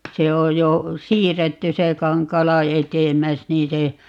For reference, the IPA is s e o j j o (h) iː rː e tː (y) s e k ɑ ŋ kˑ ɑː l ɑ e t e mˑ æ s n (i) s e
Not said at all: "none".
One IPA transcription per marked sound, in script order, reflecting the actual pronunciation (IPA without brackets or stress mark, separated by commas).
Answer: s, y, iː